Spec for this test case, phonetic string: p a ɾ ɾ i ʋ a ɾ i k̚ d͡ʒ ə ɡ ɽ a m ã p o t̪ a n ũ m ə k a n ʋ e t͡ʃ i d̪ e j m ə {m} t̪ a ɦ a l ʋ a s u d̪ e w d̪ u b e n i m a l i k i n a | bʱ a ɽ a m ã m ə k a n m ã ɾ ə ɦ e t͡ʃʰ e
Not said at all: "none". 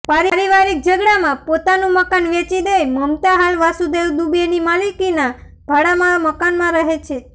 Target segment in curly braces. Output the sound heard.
m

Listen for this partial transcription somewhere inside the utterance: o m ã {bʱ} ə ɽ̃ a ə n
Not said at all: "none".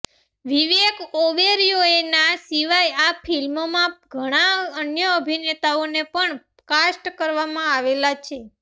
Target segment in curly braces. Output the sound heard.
ɡʱ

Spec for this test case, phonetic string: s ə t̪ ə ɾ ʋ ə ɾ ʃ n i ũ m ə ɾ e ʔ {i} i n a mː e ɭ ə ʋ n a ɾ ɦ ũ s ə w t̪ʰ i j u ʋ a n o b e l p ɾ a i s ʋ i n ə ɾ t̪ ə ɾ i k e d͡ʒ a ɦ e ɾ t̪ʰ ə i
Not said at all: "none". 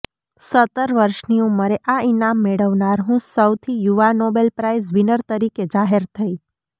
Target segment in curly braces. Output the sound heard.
a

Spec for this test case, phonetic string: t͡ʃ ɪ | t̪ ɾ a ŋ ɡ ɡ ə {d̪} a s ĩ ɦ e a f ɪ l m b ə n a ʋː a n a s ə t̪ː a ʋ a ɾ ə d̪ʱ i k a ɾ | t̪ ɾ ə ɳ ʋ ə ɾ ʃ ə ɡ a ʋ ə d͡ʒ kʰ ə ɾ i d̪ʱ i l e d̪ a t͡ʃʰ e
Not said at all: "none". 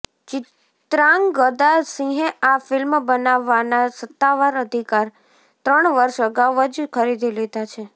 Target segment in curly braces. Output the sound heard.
d̪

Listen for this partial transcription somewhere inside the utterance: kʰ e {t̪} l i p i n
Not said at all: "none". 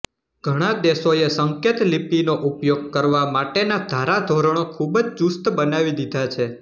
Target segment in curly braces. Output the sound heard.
t̪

